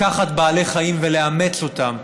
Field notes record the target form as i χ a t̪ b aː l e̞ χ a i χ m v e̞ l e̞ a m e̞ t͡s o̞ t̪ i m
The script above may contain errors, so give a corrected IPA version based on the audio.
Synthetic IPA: a χ a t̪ b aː l e̞ χ a i m v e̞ l e̞ a m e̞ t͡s o̞ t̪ a m